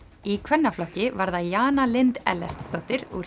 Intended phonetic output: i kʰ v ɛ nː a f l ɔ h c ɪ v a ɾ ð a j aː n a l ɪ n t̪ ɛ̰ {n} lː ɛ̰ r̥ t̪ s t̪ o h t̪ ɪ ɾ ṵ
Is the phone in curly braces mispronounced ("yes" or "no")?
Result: yes